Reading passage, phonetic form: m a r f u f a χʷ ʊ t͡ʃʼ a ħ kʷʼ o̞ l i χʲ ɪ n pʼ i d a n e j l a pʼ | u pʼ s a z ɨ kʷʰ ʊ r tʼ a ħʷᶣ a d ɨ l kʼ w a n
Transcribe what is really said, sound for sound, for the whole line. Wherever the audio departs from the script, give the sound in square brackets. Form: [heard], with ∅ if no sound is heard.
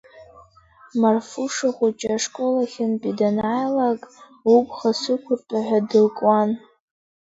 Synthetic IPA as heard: m a r f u [ʂ] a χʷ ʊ t͡ʃʼ a [ʂ] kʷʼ o̞ l [a] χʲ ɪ n pʼ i d a n [a] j l a [kʼ] | u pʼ [χ] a [s] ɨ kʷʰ ʊ r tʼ a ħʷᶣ a d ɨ l kʼ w a n